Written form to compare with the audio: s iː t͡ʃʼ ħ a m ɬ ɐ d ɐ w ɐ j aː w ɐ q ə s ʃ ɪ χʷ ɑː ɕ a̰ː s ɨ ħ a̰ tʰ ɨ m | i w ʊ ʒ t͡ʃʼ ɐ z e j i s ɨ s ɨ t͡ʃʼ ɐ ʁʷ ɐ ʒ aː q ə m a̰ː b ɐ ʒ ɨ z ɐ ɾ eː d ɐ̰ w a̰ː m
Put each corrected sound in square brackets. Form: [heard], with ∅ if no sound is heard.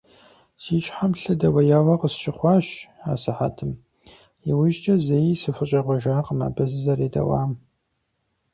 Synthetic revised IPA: s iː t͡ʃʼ ħ a m ɬ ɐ d ɐ w ɐ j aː w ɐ q ə s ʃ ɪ χʷ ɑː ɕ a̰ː s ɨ ħ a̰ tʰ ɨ m | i w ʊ ʒ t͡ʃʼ ɐ z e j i s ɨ [f] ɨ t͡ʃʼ ɐ ʁʷ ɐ ʒ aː q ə m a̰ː b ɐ [z] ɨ z ɐ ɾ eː d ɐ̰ w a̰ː m